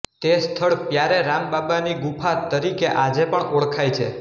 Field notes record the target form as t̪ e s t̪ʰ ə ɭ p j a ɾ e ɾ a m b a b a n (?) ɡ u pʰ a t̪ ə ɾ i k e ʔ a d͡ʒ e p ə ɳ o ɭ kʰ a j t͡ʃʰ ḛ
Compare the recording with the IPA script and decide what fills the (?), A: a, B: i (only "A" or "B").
B